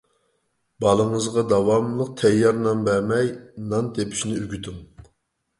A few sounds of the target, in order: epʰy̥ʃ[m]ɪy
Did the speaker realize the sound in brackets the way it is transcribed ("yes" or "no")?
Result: no